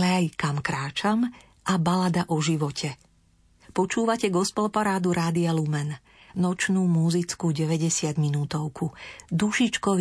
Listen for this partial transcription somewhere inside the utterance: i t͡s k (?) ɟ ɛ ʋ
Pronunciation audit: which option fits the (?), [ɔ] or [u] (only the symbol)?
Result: u